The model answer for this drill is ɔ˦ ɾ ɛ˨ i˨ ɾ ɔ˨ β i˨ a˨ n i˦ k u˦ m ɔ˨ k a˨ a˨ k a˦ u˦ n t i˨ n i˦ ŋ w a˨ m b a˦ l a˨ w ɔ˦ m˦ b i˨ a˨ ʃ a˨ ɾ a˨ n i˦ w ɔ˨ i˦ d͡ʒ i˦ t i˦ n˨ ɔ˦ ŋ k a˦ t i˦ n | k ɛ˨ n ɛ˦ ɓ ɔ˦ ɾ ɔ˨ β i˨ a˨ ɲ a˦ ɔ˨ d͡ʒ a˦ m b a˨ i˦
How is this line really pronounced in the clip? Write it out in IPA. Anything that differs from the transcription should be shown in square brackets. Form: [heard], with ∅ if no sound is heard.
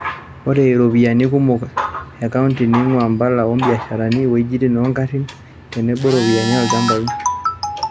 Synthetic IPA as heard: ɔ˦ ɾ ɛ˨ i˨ ɾ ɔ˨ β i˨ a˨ n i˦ k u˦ m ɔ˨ k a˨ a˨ k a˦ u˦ n t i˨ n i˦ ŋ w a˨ m b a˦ l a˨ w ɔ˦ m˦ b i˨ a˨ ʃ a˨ ɾ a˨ n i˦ w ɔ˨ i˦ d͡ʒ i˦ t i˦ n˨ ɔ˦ ŋ k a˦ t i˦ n | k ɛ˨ n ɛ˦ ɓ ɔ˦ ɾ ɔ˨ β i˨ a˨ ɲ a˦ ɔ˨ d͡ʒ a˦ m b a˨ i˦

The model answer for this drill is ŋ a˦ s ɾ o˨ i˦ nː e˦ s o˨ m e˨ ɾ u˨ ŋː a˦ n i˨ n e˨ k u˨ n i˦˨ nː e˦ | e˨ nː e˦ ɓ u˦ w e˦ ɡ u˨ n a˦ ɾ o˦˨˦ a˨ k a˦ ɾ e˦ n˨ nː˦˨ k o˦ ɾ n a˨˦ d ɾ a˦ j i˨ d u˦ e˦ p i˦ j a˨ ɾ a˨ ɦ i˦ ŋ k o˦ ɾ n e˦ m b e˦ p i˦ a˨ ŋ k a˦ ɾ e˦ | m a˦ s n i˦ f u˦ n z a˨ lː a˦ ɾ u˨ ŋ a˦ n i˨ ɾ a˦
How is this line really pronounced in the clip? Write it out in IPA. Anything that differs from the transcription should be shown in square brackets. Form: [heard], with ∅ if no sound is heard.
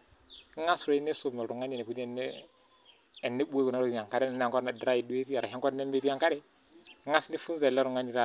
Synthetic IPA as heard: ŋ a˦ s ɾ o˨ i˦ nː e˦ s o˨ m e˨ ɾ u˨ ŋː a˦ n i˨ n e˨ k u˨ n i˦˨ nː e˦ | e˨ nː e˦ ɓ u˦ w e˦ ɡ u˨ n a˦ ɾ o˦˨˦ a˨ k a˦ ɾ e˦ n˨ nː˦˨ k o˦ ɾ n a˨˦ d ɾ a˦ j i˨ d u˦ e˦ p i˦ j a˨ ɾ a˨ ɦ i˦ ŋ k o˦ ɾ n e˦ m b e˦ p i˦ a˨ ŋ k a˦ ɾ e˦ | [ŋ] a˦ s n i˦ f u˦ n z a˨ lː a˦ ɾ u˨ ŋ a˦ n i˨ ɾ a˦

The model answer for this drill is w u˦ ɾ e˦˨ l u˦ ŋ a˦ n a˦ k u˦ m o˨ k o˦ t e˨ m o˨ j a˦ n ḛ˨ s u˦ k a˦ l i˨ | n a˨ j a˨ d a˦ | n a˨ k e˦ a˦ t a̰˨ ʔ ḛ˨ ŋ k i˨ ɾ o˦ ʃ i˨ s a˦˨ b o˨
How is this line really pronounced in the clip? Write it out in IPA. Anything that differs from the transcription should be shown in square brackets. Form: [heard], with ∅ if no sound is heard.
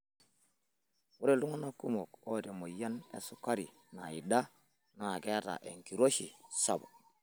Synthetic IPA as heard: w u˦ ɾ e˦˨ l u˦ ŋ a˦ n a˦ k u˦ m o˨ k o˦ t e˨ m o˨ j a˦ n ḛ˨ s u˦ k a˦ [ɾ] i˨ | n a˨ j [i˨] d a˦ | n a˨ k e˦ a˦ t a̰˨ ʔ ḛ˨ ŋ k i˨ ɾ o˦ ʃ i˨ s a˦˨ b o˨

